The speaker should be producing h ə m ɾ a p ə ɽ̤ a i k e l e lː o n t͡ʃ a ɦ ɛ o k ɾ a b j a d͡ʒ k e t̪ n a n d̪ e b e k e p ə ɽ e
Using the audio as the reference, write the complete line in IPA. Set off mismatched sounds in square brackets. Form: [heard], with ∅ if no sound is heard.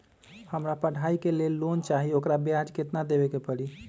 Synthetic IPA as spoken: h ə m ɾ a p ə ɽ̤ a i k e l e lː o n t͡ʃ a ɦ [i] o k ɾ a b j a d͡ʒ k e t̪ n a [∅] d̪ e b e k e p ə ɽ [i]